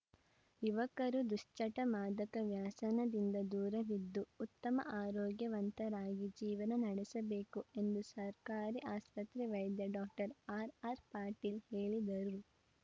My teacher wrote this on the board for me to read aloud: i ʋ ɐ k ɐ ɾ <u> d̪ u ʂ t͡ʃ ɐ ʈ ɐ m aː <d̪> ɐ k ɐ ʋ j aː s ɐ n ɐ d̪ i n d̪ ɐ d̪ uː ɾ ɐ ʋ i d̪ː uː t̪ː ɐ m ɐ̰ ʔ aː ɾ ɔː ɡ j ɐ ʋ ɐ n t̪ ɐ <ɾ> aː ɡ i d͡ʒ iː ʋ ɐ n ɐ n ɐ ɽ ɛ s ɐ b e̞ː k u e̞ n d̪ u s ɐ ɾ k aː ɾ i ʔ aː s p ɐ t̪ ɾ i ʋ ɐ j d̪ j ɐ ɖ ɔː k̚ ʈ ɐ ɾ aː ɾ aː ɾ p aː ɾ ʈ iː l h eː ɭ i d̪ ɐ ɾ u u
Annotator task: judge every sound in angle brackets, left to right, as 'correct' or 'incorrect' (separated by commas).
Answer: correct, correct, correct